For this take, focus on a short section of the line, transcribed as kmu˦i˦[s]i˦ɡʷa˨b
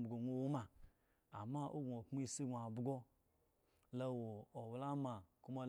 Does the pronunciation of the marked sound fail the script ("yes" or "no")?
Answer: no